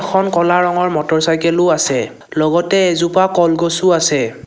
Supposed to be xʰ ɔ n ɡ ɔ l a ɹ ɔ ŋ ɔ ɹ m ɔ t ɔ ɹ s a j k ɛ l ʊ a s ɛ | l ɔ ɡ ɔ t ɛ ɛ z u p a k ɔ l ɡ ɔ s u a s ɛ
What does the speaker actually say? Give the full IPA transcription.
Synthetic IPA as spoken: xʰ ɔ n k ɔ l a ɹ ɔ ŋ ɔ ɹ m ɔ t ɔ ɹ s a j k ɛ l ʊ a s ɛ | l ɔ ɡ ɔ t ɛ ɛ z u p a k ɔ l ɡ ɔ s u a s ɛ